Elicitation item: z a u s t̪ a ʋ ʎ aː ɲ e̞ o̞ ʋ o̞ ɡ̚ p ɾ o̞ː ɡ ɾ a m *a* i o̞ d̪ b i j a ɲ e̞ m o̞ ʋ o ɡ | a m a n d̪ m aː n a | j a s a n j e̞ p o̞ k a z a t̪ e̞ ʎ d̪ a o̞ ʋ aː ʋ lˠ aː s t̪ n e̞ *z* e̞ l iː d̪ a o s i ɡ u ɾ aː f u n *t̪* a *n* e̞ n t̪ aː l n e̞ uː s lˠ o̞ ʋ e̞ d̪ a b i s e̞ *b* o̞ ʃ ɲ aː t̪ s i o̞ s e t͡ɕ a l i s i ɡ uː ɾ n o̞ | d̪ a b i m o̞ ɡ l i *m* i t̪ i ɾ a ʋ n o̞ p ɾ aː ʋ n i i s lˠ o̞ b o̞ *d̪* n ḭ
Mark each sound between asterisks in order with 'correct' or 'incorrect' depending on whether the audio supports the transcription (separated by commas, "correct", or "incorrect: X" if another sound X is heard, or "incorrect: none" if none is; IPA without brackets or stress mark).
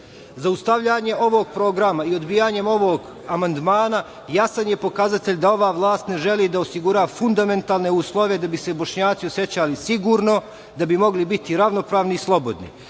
correct, incorrect: ʒ, incorrect: d̪, incorrect: m, correct, incorrect: b, correct